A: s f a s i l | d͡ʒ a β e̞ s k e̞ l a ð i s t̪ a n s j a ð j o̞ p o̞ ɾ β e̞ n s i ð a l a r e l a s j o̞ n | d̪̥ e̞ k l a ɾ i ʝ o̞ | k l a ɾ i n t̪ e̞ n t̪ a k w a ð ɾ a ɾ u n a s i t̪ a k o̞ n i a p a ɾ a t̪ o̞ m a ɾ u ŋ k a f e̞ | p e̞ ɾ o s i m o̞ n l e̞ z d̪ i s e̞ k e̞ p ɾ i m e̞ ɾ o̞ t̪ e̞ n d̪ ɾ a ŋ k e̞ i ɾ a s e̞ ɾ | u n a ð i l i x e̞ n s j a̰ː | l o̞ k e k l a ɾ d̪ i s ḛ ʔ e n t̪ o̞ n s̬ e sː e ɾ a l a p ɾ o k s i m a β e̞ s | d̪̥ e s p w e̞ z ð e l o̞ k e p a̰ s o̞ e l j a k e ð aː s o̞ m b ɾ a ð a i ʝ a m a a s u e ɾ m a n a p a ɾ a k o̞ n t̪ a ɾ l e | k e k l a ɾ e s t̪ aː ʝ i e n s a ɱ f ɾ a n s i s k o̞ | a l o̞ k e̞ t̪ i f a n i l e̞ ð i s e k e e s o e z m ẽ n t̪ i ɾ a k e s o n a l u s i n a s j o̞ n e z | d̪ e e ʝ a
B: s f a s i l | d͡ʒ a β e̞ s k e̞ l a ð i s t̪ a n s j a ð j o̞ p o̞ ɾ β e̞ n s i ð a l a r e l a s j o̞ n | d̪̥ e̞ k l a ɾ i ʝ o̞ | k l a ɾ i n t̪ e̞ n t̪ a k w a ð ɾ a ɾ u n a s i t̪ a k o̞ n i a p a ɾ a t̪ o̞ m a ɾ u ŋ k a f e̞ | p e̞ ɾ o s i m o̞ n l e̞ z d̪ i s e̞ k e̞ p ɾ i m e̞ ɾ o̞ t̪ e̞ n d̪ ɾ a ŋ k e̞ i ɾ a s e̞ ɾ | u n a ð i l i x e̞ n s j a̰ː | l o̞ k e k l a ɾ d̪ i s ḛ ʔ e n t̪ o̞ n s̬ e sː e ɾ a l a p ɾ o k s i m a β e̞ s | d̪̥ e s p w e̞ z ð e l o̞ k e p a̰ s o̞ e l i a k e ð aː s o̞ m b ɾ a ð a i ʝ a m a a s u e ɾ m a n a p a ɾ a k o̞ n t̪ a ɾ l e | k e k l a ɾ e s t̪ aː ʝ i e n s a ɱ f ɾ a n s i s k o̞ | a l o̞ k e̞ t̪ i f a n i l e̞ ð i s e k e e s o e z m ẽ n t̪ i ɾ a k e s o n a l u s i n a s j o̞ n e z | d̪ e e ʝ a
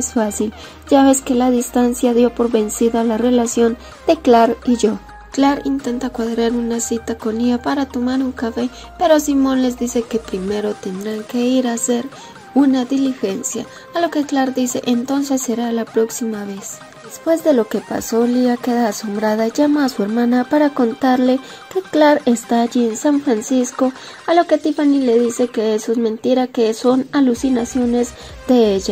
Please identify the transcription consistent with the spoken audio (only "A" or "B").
B